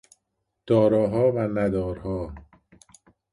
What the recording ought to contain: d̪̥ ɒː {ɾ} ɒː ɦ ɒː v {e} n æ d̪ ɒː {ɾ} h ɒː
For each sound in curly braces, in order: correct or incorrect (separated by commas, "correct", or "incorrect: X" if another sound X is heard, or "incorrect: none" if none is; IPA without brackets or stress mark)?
correct, incorrect: æ, correct